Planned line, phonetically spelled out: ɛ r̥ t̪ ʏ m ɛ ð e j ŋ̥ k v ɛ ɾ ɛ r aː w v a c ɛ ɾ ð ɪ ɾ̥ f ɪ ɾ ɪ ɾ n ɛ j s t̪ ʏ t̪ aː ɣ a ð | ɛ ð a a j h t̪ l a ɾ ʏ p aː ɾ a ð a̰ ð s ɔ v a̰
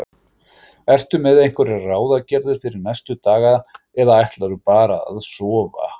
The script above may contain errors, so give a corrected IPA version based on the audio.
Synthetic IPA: ɛ r̥ t̪ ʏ m ɛ ð e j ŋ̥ k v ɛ ɾ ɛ r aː w ð a c ɛ ɾ ð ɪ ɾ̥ f ɪ ɾ ɪ ɾ n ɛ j s t̪ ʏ t̪ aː ɣ a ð | ɛ ð a a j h t̪ l a ɾ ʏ p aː ɾ a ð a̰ ð s ɔː v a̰

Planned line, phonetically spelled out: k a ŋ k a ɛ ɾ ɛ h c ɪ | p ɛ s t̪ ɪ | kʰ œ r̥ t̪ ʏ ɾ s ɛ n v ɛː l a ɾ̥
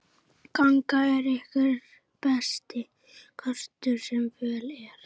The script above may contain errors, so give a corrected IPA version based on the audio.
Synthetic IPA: k a ŋ k a ɛ ɾ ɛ h k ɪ | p ɛ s t̪ ɪ | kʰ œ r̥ t̪ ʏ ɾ s ɛ m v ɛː l ɛ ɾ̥

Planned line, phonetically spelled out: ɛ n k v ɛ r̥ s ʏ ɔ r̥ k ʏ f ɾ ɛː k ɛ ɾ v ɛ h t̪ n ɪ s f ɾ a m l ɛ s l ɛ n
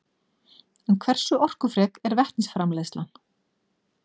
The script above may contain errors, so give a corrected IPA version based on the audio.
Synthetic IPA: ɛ n kʰ v ɛ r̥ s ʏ ɔ r̥ k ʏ f ɾ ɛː k ɛ ɾ v ɛ h t̪ n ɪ s f ɾ a m l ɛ s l a n

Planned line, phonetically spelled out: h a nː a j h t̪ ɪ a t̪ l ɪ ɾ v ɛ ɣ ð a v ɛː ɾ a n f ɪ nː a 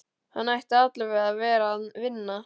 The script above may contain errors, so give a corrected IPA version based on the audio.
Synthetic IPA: h a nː a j h t̪ ɪ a t̪ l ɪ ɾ v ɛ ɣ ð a v ɛː ɾ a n v ɪ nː a

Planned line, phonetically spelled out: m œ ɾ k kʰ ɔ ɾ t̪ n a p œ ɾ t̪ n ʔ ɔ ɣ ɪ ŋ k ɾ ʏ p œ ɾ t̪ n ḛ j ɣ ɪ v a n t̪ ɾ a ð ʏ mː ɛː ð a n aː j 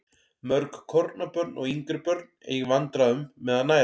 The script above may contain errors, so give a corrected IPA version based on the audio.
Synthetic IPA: m œ ɾ k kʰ ɔ ɾ t̪ n a p œ ɾ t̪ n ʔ ɔ ɣ i ŋ k ɾ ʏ p œ ɾ t̪ n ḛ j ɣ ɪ v a n t̪ ɾ a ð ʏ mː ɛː ð a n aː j

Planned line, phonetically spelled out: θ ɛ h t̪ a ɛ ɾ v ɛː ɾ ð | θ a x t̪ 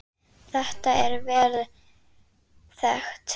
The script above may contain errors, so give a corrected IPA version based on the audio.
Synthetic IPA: θ ɛ h t̪ a ɛ ɾ v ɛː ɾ ð | θ ɛ x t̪

